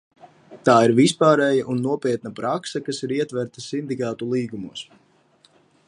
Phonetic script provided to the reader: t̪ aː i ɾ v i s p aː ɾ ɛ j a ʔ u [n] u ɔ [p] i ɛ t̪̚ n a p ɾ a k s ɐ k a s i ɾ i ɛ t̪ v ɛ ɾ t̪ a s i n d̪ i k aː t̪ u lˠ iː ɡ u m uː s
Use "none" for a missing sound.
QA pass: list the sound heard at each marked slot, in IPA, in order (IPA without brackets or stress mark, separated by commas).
nː, p